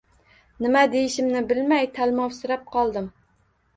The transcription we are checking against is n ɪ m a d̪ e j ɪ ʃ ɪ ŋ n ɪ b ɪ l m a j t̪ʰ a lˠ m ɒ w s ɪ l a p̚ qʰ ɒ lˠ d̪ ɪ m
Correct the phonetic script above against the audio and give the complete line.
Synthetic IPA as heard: n ɪ m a d̪ e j ɪ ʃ ɪ m n ɪ b ɪ l m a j t̪ʰ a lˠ m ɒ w s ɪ ɾ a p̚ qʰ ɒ lˠ d̪ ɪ m